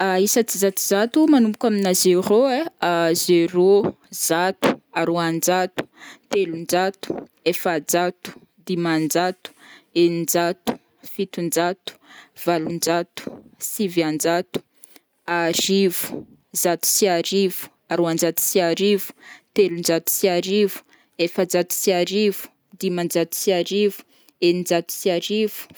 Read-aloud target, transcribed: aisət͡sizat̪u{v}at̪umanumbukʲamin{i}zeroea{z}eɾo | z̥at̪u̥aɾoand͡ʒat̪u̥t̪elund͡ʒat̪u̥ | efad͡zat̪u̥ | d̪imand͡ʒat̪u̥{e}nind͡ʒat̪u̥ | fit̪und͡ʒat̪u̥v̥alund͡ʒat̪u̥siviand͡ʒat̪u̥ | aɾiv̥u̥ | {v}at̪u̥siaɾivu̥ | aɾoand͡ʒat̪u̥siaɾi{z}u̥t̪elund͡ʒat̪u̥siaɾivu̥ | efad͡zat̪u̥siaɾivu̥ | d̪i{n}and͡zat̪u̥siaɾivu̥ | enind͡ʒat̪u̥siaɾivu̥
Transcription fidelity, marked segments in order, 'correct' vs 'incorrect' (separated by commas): incorrect, incorrect, correct, correct, incorrect, incorrect, incorrect